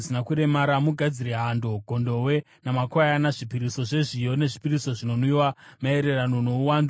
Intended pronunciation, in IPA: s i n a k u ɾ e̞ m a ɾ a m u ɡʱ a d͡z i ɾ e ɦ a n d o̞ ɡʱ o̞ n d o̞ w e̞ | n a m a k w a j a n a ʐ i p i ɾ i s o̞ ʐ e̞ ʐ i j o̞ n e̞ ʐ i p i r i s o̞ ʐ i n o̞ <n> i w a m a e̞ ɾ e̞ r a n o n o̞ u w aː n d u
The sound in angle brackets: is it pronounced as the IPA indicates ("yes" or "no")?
yes